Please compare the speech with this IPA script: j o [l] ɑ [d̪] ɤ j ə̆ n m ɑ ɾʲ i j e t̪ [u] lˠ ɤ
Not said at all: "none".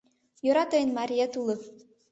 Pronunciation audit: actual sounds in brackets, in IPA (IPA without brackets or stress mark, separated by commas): ɾ, t̪, u